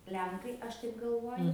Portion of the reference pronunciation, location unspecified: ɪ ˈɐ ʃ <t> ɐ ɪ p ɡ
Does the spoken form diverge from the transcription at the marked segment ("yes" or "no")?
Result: no